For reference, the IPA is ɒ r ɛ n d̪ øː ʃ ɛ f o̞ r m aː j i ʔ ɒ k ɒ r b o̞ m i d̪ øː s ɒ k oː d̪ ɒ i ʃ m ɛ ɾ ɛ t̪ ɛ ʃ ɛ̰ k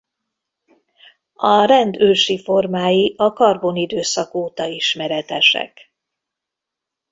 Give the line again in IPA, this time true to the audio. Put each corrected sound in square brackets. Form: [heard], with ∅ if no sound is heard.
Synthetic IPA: ɒ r ɛ n d̪ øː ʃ [i] f o̞ r m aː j i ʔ ɒ k ɒ r b o̞ [n] i d̪ øː s ɒ k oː [t̪] ɒ i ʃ m ɛ ɾ ɛ t̪ ɛ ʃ ɛ̰ k

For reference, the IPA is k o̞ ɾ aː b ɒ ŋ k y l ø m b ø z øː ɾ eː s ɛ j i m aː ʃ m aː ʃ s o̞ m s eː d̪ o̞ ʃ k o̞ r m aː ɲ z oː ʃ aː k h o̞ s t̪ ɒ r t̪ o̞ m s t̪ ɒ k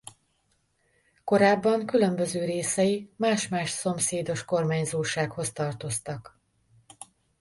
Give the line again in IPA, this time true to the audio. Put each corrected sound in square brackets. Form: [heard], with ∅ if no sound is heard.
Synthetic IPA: k o̞ ɾ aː [bː] ɒ ŋ k y l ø m b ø z øː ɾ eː s ɛ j i m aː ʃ m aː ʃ s o̞ m s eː d̪ o̞ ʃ k o̞ r m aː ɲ z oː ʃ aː k h o̞ s t̪ ɒ r t̪ o̞ [∅] s t̪ ɒ k

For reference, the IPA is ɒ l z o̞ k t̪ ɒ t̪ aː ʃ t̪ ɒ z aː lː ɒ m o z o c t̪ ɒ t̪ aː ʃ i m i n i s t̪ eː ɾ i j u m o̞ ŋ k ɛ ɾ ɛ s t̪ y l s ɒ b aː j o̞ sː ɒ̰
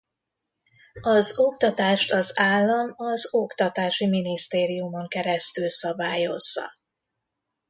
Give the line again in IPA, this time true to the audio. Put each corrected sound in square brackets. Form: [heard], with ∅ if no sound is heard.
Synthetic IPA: ɒ [∅] z o̞ k t̪ ɒ t̪ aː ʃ t̪ ɒ z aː lː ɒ m [ɒ] z o [k] t̪ ɒ t̪ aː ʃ i m i n i s t̪ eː ɾ i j u m o̞ ŋ k ɛ ɾ ɛ s t̪ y l s ɒ b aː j o̞ [zː] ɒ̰

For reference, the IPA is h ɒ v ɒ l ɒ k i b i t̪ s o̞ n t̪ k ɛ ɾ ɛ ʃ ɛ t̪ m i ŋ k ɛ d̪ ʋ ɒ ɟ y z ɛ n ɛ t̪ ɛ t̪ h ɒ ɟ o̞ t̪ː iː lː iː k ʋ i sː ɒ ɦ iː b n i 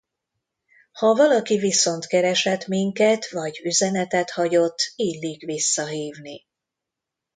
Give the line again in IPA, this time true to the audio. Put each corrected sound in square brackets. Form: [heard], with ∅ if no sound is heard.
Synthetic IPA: h ɒ v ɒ l ɒ k i [v] i [∅] s o̞ n t̪ k ɛ ɾ ɛ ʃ ɛ t̪ m i ŋ k ɛ [t̪] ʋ ɒ ɟ y z ɛ n ɛ t̪ ɛ t̪ h ɒ ɟ o̞ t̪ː iː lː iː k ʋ i sː ɒ ɦ iː [v] n i

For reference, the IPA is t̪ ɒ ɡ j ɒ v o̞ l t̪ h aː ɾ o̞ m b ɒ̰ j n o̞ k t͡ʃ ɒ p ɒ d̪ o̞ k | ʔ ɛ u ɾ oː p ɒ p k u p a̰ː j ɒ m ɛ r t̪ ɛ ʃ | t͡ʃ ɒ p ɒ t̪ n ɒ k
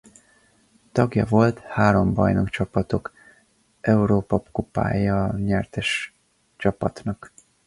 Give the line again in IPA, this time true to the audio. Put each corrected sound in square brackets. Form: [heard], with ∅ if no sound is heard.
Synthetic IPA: t̪ ɒ ɡ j ɒ v o̞ l t̪ h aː ɾ o̞ m b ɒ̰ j n o̞ k t͡ʃ ɒ p ɒ [t̪] o̞ k | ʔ ɛ u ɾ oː p ɒ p k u p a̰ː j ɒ [ɲ] ɛ r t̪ ɛ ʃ | t͡ʃ ɒ p ɒ t̪ n ɒ k

